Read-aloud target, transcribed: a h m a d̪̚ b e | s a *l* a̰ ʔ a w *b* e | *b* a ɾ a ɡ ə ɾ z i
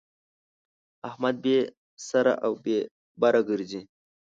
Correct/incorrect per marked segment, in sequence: incorrect, correct, correct

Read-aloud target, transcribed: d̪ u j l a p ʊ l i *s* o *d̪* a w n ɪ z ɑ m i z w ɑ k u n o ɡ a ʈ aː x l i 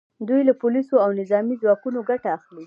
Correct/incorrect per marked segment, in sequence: correct, incorrect

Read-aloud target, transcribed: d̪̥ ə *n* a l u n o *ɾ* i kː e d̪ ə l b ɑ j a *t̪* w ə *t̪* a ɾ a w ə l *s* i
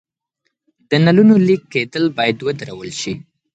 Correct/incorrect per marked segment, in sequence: correct, incorrect, incorrect, incorrect, incorrect

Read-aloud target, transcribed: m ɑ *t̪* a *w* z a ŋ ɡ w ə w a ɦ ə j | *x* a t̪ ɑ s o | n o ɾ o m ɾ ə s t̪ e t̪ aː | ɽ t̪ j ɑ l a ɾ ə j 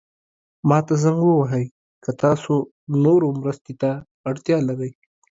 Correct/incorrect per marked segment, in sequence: correct, incorrect, incorrect

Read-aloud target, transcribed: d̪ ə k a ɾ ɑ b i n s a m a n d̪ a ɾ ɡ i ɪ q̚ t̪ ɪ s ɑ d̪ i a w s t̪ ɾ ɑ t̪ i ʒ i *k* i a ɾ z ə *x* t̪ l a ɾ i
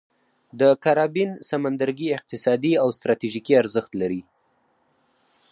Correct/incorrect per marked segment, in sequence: correct, correct

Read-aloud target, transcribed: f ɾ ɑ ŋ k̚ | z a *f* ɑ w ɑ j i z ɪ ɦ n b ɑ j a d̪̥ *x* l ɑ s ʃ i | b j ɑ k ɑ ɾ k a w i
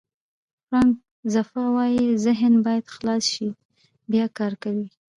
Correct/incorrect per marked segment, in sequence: correct, correct

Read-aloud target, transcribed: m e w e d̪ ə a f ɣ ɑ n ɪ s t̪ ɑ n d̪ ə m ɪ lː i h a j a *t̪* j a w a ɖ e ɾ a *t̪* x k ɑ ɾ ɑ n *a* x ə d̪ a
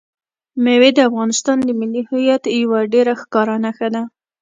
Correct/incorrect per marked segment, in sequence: correct, incorrect, correct

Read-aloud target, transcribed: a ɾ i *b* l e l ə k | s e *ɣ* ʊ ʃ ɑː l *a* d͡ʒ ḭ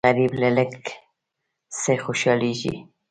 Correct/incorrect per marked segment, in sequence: correct, incorrect, incorrect

